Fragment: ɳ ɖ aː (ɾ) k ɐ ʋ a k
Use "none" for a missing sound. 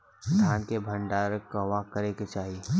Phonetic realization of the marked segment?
ɾ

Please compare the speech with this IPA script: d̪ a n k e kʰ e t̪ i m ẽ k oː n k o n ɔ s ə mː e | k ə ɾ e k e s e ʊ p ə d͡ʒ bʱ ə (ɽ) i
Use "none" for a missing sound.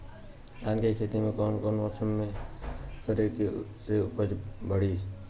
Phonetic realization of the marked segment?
ɽ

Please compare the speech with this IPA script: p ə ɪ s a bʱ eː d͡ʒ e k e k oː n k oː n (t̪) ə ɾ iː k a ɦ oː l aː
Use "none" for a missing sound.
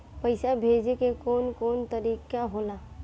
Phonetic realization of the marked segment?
t̪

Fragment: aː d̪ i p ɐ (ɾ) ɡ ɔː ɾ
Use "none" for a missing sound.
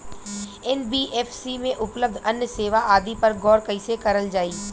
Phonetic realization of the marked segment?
ɾ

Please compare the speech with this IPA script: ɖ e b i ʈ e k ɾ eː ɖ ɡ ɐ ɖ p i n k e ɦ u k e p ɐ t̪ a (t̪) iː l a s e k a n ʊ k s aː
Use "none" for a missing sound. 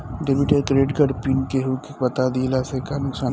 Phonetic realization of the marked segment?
d̪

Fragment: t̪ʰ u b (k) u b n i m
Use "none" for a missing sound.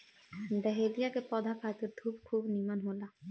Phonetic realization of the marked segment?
kʰ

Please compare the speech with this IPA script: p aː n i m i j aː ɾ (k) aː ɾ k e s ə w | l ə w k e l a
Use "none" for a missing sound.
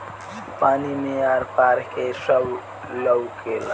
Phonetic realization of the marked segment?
p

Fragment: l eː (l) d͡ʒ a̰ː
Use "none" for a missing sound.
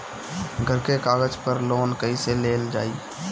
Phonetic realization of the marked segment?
l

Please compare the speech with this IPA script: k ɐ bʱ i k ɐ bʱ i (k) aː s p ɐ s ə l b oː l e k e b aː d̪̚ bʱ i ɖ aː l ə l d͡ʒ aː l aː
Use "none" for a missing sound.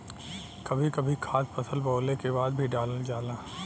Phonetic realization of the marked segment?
kʰ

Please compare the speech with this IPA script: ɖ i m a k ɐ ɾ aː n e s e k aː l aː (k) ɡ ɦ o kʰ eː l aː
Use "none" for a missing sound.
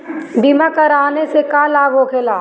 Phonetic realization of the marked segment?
none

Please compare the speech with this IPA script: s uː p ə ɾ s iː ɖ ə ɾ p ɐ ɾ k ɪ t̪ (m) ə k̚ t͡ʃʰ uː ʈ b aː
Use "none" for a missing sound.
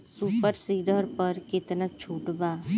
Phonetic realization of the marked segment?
n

